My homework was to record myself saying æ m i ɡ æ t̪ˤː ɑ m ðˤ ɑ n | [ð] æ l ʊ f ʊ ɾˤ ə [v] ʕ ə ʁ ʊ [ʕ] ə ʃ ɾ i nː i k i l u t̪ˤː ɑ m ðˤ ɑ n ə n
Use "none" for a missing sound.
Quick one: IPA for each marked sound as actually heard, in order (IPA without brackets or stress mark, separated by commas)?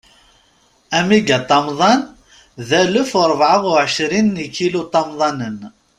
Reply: ð, v, ʕ